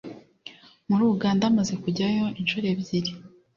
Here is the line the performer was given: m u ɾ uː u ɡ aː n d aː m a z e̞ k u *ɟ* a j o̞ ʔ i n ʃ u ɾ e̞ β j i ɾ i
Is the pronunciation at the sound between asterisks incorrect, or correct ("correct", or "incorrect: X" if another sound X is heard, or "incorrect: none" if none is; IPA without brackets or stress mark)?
correct